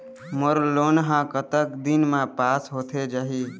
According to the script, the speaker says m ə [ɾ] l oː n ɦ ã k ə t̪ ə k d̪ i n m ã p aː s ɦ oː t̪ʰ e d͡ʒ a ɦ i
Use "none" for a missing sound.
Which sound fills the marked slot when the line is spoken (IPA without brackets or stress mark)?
ɾ